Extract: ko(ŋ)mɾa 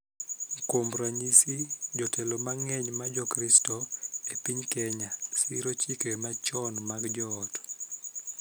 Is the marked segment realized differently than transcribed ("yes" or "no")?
yes